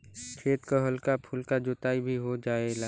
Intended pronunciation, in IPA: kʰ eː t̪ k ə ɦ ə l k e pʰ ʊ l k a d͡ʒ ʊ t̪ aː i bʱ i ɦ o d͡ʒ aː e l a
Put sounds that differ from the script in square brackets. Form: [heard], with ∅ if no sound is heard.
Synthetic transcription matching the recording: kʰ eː t̪ k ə ɦ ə l k [a] pʰ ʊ l k a d͡ʒ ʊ t̪ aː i bʱ i ɦ o d͡ʒ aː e l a